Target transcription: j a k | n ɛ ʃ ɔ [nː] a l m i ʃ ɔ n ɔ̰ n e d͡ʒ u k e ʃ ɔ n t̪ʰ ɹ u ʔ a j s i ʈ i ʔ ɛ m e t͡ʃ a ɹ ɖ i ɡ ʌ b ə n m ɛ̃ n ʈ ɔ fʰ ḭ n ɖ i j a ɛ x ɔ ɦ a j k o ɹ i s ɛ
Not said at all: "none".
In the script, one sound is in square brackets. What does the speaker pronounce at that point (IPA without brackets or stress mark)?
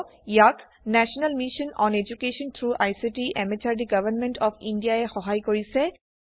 n